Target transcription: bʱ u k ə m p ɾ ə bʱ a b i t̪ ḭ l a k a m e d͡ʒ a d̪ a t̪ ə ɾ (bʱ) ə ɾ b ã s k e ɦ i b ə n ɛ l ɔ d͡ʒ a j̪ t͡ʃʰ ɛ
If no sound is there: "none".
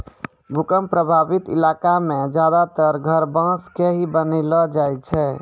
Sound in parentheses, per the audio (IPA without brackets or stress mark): ɡʱ